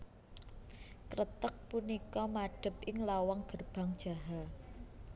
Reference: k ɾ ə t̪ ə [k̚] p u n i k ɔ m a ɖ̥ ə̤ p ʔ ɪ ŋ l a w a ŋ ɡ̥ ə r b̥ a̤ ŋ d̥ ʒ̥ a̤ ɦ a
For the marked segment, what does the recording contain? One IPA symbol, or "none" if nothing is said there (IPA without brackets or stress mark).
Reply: k̚